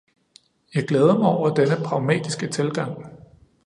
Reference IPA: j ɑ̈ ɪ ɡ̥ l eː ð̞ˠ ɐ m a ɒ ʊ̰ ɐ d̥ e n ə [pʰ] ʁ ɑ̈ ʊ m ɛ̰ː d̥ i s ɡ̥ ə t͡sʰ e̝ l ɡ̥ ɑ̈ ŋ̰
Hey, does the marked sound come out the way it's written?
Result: yes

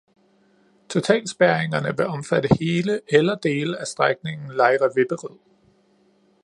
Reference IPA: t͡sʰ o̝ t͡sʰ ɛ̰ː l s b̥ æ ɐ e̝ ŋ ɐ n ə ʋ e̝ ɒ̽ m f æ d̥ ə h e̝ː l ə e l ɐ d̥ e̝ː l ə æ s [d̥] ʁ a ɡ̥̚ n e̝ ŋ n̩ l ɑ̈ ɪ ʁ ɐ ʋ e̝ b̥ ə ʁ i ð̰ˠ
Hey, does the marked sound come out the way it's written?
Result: yes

